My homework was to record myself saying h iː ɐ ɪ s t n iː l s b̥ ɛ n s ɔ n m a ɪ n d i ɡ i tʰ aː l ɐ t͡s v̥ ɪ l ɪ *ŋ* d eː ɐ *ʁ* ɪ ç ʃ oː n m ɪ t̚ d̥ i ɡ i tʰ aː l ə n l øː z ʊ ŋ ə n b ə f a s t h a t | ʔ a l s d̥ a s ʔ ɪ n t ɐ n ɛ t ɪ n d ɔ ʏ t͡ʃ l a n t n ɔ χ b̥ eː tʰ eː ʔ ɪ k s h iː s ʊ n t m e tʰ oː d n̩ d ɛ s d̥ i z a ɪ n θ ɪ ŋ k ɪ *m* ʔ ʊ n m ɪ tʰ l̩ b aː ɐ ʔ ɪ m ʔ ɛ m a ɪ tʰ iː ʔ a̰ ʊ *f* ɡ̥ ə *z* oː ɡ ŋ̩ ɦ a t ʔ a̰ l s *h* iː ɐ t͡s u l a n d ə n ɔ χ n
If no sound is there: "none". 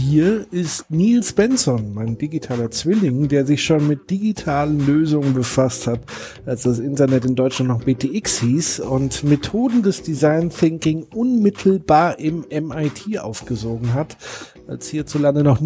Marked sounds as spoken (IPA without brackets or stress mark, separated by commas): ŋ, z, ŋ, f, z, h